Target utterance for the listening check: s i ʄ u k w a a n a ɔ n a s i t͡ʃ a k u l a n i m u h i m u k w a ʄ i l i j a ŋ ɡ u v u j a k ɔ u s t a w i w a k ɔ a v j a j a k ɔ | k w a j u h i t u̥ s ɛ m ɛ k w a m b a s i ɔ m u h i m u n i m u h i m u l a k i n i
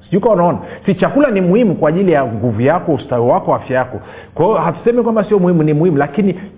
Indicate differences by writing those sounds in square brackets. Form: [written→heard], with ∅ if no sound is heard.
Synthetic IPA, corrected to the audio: s i ʄ u k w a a n a ɔ n a s i t͡ʃ a k u l a n i m u h i m u k w a ʄ i l i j a ŋ ɡ u v u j a k ɔ u s t a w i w a k ɔ a [v→f] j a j a k ɔ | k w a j [u→ɔ] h [i→a] t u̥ s ɛ m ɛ k w a m b a s i ɔ m u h i m u n i m u h i m u l a k i n i